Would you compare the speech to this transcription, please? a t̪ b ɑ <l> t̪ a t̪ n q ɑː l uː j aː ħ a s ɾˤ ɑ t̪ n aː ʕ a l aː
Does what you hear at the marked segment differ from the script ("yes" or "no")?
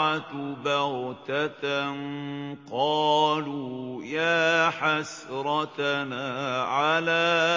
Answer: yes